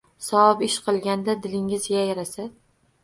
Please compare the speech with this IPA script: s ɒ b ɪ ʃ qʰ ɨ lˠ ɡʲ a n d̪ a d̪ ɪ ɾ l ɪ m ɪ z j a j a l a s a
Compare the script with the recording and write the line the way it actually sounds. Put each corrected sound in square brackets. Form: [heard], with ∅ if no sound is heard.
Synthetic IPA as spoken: s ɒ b ɪ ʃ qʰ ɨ lˠ ɡʲ a n d̪ a d̪ ɪ [∅] l ɪ [ŋ] ɪ z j a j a [ɾ] a s a